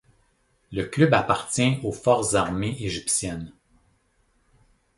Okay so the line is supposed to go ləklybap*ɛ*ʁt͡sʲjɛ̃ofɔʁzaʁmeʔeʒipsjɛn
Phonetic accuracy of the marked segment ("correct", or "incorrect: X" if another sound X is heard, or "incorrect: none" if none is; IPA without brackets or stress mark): incorrect: a